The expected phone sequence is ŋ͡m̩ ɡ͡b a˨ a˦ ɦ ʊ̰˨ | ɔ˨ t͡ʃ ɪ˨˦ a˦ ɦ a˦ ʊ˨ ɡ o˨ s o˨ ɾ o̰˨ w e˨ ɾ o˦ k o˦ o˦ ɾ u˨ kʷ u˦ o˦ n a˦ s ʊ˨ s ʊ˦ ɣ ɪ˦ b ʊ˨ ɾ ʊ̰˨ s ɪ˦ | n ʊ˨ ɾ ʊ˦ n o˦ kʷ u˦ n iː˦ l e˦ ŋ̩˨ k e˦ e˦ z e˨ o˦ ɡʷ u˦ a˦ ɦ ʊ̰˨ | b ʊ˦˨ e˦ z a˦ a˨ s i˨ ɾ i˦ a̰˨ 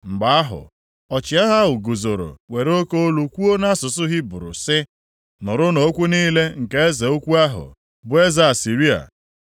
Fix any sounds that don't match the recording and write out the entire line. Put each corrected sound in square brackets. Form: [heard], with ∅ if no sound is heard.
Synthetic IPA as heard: ŋ͡m̩ ɡ͡b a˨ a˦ ɦ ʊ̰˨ | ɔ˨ t͡ʃ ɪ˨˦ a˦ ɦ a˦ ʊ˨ ɡ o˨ [z] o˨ ɾ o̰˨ w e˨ ɾ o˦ k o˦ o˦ [l] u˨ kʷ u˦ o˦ n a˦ s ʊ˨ s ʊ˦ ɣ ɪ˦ b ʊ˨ ɾ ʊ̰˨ s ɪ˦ | n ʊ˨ ɾ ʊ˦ n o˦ kʷ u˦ n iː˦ l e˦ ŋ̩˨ k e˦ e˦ z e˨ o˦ [kʷ] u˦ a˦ ɦ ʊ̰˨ | b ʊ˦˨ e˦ z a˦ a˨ s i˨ ɾ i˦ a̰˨